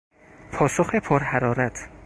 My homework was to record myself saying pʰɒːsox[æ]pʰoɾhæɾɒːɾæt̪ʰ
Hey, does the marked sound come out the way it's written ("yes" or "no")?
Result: no